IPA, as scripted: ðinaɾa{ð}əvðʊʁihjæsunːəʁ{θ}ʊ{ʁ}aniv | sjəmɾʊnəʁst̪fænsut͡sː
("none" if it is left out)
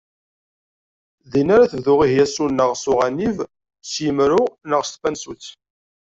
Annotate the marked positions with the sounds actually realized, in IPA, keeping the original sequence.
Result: θ, s, ʁ

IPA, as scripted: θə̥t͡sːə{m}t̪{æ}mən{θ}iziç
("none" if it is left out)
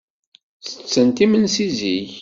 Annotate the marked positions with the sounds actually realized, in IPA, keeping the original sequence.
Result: n, i, s

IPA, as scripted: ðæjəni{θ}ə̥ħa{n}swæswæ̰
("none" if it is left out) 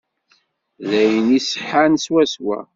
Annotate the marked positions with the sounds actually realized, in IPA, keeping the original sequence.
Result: s, n

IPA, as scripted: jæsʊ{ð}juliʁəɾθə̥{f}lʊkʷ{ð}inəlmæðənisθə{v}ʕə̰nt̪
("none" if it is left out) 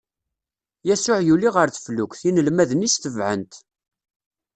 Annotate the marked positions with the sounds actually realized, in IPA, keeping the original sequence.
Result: ʕ, f, θ, v

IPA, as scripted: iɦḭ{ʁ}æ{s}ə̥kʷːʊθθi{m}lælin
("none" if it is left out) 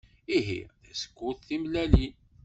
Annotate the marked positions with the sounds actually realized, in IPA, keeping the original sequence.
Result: ð, s, m

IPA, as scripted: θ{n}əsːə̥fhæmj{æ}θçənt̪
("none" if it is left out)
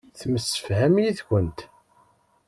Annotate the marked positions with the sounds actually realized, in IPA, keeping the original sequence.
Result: m, i

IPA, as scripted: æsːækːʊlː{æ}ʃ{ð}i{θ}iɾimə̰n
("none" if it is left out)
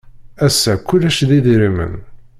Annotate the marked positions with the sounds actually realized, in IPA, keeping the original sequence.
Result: æ, ð, ð

